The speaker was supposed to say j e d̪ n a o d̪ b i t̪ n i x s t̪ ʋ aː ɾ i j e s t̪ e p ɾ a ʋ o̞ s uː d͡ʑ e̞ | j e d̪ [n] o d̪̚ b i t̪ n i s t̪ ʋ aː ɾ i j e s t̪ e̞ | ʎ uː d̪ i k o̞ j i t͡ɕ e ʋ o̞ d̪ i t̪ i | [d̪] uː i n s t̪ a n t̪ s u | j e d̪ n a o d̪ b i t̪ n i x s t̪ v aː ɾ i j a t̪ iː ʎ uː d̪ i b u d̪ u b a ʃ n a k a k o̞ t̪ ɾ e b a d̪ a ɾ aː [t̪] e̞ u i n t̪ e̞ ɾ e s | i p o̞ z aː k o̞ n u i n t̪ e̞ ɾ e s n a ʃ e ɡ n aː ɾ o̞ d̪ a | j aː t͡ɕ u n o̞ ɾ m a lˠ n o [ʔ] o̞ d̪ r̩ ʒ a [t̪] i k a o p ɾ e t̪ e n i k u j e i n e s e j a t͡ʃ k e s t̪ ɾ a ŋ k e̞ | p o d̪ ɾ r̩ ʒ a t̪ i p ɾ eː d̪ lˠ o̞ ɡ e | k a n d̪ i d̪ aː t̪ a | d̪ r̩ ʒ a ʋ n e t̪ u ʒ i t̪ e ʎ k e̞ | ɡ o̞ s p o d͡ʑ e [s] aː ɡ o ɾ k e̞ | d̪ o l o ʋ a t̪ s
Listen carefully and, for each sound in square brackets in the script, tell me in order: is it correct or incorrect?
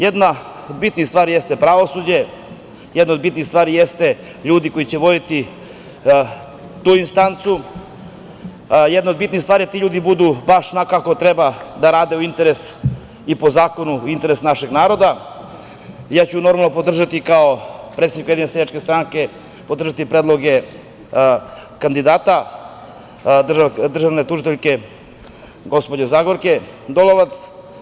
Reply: correct, incorrect: t̪, incorrect: d̪, incorrect: p, correct, incorrect: z

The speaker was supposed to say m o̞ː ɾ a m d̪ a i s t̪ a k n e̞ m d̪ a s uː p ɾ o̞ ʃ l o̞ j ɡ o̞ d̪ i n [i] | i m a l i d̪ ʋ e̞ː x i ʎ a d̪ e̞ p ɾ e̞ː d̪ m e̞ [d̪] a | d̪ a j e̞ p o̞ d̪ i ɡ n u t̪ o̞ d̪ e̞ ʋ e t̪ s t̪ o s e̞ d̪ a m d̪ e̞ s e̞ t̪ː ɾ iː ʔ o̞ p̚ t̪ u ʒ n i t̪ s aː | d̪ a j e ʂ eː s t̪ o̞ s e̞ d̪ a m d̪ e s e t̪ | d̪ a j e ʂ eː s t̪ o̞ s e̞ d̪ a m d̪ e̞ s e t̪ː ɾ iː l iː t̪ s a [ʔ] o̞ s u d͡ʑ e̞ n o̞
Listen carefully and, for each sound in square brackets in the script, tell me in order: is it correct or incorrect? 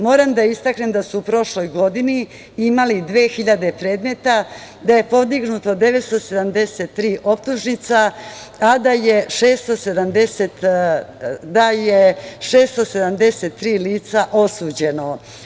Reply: correct, incorrect: t̪, correct

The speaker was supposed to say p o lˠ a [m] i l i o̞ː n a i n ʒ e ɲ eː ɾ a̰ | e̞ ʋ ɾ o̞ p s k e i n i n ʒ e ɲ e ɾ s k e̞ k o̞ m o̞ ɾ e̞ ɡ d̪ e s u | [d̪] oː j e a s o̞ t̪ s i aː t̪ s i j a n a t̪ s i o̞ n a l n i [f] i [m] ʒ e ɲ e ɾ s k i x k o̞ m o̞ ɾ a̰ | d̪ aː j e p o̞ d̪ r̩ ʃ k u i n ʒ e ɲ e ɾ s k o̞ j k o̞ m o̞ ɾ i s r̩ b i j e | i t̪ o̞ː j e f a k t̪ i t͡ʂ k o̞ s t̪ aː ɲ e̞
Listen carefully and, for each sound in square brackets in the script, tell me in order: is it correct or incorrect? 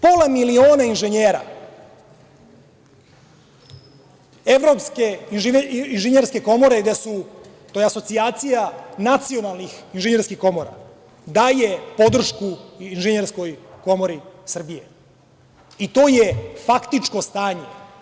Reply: correct, incorrect: t̪, incorrect: x, incorrect: n

